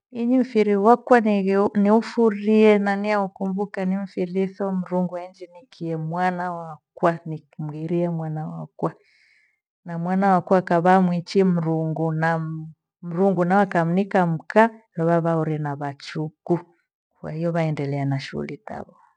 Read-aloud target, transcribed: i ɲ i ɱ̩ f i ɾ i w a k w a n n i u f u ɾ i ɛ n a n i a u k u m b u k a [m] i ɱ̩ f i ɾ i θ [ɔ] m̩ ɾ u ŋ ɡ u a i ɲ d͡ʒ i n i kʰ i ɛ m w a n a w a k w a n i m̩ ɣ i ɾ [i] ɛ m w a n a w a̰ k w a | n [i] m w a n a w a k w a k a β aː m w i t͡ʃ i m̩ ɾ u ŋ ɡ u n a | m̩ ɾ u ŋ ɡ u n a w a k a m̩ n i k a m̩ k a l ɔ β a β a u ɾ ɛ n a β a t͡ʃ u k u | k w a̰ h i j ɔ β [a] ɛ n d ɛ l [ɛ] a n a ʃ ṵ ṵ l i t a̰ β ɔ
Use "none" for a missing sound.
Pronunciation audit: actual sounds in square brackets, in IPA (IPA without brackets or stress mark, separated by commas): n, ɔ, i, a, a, ɛ